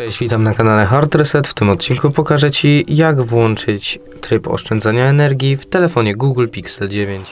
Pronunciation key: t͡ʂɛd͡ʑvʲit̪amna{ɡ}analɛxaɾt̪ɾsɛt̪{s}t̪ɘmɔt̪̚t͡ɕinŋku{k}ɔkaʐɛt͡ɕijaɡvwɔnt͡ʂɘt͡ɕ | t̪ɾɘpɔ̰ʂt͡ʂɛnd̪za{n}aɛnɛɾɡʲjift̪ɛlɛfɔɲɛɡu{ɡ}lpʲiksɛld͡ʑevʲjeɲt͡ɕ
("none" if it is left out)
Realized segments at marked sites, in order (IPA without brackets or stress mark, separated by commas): k, f, p, ɲ, ɡ